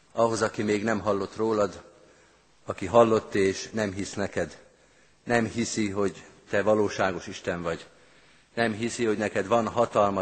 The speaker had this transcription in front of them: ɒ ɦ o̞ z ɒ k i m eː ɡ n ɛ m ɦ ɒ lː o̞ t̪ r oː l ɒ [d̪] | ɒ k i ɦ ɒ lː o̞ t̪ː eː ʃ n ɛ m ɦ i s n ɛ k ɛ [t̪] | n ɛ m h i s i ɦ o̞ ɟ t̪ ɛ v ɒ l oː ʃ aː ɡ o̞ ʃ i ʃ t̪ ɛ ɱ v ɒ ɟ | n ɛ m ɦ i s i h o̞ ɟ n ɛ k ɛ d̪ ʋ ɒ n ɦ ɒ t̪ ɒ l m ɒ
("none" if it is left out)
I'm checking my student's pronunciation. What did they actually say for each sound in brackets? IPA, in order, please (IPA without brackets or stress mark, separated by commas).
d̪, d̪